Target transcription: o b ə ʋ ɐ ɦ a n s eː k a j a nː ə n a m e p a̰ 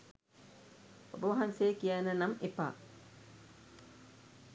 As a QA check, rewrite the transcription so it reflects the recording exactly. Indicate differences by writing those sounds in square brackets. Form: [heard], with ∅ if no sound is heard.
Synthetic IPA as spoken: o b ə ʋ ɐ ɦ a n s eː k [i] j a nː ə n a m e p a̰